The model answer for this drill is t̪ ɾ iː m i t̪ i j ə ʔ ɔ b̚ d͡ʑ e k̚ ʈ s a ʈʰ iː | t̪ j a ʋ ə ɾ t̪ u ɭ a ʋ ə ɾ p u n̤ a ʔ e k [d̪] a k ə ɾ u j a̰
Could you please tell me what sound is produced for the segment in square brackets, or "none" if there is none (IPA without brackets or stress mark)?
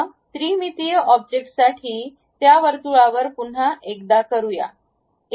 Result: d̪